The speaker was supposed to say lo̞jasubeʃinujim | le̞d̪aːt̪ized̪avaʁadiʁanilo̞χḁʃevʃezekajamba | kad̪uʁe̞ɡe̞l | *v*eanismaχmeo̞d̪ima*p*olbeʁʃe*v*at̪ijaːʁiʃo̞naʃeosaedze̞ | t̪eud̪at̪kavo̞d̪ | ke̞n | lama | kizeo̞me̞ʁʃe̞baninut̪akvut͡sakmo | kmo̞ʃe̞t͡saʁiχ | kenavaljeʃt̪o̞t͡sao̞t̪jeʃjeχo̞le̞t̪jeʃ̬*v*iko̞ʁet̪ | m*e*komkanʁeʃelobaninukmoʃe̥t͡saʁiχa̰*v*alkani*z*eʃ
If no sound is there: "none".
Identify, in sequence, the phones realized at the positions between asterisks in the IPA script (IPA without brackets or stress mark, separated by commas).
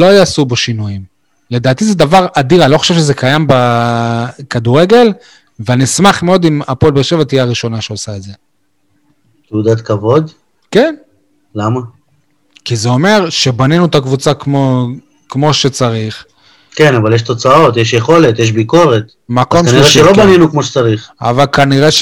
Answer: v, p, v, b, a, v, ʁ